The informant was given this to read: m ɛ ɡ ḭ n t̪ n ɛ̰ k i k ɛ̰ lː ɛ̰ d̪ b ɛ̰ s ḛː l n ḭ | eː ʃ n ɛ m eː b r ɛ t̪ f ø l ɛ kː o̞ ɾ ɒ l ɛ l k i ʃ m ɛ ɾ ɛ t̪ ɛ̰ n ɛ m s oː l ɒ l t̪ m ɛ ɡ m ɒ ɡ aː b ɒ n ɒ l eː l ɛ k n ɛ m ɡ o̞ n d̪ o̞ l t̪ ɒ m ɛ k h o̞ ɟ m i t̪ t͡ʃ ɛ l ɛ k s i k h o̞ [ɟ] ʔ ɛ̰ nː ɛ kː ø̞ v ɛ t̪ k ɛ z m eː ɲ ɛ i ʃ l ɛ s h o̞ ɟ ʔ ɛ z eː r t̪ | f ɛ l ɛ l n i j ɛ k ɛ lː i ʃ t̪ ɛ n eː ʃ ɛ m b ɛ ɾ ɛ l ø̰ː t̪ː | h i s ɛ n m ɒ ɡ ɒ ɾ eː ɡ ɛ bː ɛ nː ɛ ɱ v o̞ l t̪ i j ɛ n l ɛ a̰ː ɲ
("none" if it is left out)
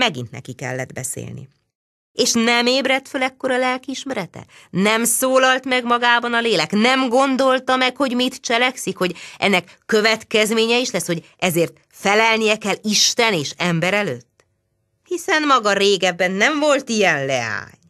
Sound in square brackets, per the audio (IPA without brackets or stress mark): ɟ